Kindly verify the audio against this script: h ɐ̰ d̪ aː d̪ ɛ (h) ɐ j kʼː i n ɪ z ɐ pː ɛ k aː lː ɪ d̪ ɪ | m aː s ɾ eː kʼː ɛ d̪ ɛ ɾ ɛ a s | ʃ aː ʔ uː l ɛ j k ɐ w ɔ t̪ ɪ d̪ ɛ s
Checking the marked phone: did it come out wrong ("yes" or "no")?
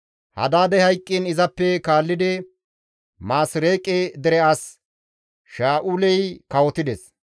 no